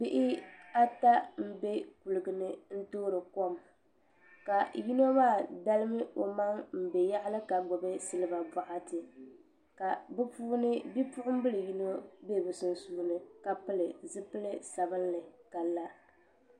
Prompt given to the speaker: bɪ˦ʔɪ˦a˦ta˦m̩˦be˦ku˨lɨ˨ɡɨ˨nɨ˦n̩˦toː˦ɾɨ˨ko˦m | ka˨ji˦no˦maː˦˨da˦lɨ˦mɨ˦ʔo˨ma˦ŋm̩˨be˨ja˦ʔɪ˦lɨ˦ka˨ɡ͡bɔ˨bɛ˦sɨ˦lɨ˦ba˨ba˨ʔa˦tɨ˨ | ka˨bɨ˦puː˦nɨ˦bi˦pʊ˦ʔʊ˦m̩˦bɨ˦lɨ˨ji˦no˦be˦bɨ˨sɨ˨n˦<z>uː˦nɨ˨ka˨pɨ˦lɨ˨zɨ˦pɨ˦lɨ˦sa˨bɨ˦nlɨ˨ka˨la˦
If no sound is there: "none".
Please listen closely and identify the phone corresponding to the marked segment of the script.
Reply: s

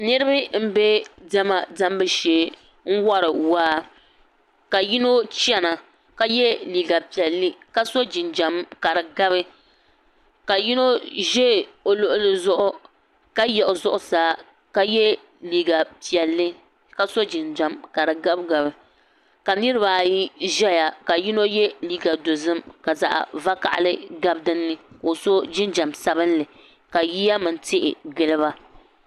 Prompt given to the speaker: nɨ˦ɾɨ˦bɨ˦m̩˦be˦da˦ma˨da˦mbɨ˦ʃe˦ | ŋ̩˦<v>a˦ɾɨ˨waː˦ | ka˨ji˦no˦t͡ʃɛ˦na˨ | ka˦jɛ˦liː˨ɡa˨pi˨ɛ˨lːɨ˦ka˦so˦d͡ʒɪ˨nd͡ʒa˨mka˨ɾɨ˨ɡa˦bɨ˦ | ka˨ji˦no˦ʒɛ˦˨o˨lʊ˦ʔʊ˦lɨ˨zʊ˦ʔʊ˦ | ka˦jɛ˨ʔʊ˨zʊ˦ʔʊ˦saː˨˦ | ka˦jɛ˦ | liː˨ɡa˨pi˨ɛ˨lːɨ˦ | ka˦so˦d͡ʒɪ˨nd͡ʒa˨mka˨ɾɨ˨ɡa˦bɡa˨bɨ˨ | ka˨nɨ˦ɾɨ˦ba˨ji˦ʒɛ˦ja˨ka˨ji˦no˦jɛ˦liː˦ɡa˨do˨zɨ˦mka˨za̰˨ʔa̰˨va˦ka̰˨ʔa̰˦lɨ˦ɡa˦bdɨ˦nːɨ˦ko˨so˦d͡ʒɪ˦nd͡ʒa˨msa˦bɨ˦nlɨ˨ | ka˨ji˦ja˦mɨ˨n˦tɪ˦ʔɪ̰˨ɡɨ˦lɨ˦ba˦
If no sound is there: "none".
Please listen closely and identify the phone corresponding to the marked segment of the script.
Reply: w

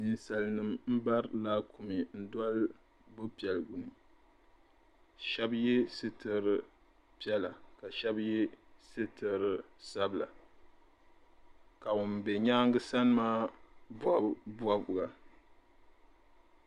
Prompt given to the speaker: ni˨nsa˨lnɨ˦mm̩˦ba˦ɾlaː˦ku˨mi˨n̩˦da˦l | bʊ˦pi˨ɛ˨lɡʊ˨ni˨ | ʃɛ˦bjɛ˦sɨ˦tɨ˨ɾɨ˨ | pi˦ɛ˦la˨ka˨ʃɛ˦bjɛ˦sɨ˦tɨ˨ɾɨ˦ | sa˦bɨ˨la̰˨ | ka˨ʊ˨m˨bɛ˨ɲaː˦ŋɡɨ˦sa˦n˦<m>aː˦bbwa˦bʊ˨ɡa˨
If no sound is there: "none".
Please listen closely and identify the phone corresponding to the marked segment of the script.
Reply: m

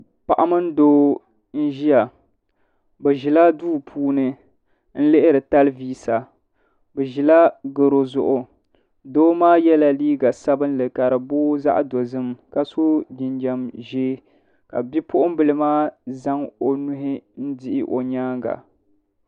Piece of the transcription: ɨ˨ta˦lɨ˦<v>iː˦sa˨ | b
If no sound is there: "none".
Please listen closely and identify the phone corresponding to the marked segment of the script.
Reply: v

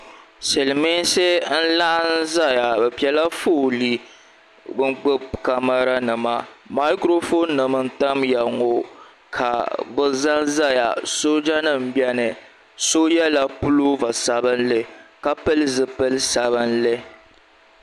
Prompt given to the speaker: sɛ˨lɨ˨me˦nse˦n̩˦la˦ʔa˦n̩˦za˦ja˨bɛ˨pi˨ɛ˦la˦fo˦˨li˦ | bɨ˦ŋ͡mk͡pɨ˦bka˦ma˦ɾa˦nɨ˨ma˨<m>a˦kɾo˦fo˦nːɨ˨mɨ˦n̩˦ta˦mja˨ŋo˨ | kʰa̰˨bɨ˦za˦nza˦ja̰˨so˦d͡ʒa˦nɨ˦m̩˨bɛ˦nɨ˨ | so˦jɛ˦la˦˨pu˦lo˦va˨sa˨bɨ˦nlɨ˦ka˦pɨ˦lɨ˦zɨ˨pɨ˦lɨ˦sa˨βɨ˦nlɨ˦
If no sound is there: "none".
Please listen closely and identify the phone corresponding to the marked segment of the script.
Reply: m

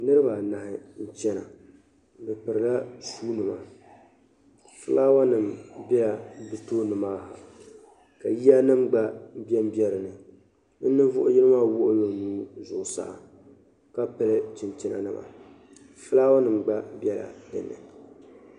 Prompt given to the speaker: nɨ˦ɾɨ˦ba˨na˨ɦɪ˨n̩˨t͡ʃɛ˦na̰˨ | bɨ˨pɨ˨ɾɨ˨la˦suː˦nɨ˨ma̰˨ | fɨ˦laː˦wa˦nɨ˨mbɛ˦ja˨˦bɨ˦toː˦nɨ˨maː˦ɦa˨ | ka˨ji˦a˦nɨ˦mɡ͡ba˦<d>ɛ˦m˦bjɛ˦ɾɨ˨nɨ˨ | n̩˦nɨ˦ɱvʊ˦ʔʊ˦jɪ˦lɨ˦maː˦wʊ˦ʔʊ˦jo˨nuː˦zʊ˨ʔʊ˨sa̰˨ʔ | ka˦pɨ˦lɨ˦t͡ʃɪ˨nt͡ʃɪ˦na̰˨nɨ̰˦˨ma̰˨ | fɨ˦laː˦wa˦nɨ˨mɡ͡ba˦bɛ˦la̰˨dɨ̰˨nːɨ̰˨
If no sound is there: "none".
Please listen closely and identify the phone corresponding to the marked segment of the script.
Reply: b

